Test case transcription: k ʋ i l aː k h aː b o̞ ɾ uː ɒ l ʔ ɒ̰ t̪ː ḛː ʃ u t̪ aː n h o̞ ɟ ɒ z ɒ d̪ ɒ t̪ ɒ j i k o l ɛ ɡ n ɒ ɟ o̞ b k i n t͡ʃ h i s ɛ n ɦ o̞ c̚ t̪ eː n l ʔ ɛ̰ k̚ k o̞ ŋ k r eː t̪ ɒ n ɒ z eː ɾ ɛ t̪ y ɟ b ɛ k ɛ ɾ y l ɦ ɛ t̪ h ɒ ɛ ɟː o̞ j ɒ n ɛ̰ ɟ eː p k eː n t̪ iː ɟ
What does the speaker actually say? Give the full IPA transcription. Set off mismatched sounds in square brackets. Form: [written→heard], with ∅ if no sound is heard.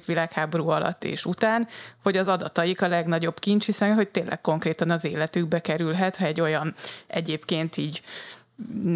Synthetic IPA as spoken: k ʋ i l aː k h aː b o̞ ɾ uː ɒ l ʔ ɒ̰ t̪ː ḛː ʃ u t̪ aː n h o̞ ɟ ɒ z ɒ d̪ ɒ t̪ ɒ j i k [o→ɒ] l ɛ ɡ n ɒ ɟ o̞ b k i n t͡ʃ h i s ɛ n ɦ o̞ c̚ t̪ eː n l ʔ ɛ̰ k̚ k o̞ ŋ k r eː t̪ ɒ n ɒ z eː [ɾ→l] ɛ t̪ y [ɟ→ɡ] b ɛ k ɛ ɾ y l ɦ ɛ t̪ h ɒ ɛ ɟː o̞ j ɒ n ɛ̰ ɟ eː p k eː n t̪ iː ɟ